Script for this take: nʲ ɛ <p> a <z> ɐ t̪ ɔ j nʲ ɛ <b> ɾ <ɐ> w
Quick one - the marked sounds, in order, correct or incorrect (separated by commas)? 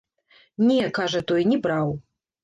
incorrect, incorrect, correct, incorrect